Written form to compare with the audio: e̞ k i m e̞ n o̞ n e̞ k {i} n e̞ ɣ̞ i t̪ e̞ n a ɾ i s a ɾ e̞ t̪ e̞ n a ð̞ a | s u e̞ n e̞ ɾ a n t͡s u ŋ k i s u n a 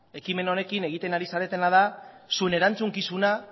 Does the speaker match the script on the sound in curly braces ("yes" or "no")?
yes